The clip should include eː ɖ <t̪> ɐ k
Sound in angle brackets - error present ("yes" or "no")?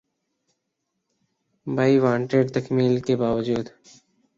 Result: no